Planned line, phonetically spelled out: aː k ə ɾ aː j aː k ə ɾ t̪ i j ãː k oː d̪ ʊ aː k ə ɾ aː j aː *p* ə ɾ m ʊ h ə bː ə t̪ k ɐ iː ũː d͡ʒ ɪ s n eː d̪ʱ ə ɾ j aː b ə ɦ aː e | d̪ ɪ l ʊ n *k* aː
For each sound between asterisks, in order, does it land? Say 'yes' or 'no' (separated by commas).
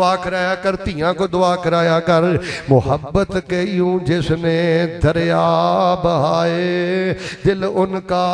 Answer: no, yes